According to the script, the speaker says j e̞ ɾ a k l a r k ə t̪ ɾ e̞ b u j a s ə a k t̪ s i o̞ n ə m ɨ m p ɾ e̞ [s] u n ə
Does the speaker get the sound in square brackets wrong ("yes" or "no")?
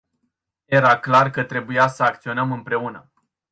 yes